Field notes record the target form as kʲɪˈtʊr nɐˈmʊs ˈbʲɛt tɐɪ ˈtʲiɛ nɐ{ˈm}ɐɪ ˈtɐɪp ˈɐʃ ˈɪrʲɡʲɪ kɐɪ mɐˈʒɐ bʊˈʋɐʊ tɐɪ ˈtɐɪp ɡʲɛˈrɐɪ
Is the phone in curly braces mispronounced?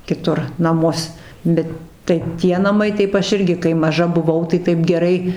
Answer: no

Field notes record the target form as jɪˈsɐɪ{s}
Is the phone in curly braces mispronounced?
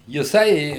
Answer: yes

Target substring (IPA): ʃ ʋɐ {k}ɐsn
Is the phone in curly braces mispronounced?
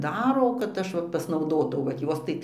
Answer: yes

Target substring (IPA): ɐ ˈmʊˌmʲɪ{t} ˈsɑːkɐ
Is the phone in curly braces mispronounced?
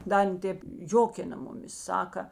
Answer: yes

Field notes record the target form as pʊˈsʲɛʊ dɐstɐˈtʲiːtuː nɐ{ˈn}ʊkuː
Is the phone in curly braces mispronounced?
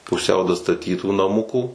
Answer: yes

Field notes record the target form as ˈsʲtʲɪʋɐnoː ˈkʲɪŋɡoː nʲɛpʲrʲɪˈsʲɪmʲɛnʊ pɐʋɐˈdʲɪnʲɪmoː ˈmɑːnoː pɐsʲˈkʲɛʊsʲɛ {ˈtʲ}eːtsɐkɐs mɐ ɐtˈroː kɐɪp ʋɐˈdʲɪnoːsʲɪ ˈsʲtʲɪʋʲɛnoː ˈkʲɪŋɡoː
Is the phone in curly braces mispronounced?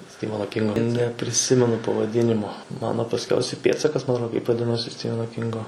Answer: yes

